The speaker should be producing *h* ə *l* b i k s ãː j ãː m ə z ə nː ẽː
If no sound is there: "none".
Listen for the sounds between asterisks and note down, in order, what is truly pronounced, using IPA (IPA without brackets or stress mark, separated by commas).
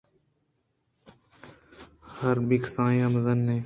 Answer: h, ɾ